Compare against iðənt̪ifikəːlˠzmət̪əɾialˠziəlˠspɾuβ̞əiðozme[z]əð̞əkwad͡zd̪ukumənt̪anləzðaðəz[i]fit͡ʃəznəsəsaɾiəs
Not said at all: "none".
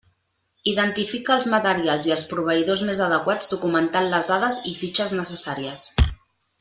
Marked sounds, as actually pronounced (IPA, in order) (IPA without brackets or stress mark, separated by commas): z, i